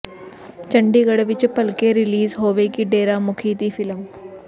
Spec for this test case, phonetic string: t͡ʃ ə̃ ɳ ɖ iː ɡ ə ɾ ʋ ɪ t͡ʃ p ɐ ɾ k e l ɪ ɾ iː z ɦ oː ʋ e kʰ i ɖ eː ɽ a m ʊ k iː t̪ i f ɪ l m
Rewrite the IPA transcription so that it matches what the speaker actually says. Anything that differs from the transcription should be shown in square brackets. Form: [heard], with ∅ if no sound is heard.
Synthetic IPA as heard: t͡ʃ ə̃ ɳ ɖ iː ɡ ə [ɽ] ʋ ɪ t͡ʃ p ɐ [l] k e [ɾ] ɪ [l] iː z ɦ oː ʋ e [k] i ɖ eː [ɾ] a m ʊ [kʰ] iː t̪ i f ɪ l m